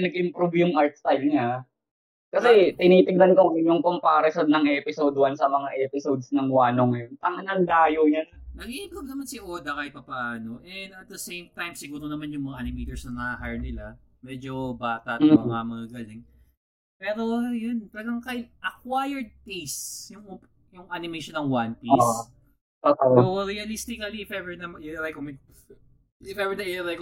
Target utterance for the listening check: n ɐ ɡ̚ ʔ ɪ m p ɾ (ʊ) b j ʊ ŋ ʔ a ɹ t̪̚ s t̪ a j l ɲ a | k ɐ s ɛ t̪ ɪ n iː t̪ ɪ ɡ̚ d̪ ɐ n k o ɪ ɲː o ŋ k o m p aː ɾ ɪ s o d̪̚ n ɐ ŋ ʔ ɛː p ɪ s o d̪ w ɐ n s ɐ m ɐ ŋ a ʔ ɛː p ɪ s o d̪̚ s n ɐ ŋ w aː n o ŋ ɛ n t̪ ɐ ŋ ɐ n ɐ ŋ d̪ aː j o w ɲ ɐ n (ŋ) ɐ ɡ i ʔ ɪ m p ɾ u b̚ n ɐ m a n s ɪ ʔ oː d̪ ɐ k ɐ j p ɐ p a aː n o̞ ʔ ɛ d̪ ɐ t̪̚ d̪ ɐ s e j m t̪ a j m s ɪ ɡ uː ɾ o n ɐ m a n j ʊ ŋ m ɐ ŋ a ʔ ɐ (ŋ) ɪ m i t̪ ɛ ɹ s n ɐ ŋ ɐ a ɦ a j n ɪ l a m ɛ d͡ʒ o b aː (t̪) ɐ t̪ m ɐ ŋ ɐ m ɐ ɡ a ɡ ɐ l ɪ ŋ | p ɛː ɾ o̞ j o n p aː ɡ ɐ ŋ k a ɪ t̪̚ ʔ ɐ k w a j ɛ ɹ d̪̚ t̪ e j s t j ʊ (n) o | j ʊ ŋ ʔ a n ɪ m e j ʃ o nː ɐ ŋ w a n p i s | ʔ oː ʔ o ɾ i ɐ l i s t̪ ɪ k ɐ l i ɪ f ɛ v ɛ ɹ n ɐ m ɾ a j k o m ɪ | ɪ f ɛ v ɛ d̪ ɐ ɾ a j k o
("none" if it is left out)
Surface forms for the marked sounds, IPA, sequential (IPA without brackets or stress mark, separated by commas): u, n, n, t̪, ŋ